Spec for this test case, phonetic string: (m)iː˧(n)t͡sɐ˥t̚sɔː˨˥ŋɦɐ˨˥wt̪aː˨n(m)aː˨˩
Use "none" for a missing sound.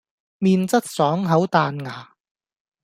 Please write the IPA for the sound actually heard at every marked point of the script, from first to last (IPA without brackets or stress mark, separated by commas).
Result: m, n, ŋ